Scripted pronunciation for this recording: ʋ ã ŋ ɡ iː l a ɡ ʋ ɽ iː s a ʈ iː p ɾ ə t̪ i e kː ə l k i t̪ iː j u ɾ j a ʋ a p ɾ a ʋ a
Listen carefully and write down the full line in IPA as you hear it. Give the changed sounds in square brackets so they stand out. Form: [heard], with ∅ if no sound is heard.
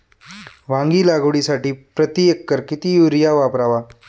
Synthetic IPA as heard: ʋ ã ŋ ɡ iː l a ɡ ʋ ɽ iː s a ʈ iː p ɾ ə t̪ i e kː ə [ɾ] k i t̪ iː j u ɾ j a ʋ a p ɾ a ʋ a

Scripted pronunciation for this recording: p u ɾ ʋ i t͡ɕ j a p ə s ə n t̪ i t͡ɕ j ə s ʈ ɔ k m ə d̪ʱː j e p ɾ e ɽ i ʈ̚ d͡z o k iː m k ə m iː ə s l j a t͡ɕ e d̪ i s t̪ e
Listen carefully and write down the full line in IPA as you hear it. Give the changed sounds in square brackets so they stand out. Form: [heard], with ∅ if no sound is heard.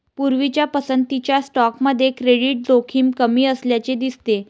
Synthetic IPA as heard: p u ɾ ʋ i t͡ɕ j a p ə s ə n t̪ i t͡ɕ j [a] s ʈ ɔ k m ə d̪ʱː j e [k] ɾ e ɽ i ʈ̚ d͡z o [kʰ] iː m k ə m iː ə s l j a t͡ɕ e d̪ i s t̪ e

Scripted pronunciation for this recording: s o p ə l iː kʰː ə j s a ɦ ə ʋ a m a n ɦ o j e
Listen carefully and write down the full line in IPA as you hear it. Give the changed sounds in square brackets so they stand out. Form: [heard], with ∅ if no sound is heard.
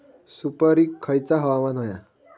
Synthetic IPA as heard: s [u] p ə [ɾ] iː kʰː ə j [t͡s] a ɦ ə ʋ a m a n ɦ o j [a]

